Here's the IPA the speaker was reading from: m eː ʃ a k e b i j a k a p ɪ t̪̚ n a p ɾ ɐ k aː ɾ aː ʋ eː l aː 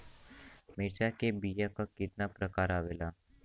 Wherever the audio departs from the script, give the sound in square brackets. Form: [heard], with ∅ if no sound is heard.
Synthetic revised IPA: m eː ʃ a k e b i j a k a [k] ɪ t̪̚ n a p ɾ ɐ k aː ɾ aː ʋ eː l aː